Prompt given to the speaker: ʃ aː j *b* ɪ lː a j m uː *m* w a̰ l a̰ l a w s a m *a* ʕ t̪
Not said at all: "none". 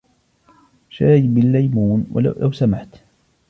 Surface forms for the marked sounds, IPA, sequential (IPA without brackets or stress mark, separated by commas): b, n, a